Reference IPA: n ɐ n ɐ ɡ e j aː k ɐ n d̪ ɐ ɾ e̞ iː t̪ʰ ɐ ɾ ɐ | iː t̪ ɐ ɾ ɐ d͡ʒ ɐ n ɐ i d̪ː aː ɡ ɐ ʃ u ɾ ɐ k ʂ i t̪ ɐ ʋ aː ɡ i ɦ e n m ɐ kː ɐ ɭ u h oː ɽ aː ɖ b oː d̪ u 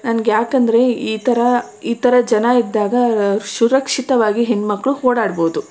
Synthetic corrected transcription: n ɐ n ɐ ɡ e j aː k ɐ n d̪ ɐ ɾ e̞ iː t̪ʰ ɐ ɾ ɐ | iː t̪ ɐ ɾ ɐ d͡ʒ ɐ n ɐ i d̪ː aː ɡ ɐ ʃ u ɾ ɐ k ʂ i t̪ ɐ ʋ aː ɡ i ɦ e n m ɐ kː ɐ ɭ u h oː ɽ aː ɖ b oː d̪ u